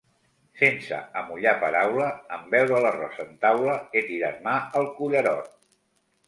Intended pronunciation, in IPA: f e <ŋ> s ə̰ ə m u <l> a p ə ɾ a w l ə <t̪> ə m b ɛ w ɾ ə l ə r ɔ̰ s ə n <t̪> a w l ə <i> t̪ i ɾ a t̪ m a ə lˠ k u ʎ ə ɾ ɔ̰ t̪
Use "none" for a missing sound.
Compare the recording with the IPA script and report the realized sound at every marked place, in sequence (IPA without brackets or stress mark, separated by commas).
n, ʎ, none, t̪, e